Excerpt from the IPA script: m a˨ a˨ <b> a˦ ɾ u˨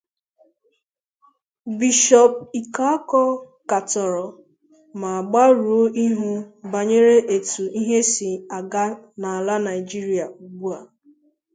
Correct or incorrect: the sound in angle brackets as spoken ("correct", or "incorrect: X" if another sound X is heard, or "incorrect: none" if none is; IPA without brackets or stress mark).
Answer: incorrect: ɡ͡b